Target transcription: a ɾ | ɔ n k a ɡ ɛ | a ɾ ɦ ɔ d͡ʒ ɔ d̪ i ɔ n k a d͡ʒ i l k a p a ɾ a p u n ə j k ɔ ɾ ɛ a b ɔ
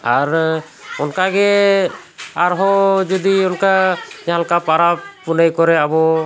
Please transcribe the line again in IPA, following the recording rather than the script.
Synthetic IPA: a ɾ | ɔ n k a ɡ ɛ | a ɾ ɦ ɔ d͡ʒ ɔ d̪ i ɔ n k a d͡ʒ a l k a p a ɾ a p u n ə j k ɔ ɾ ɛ a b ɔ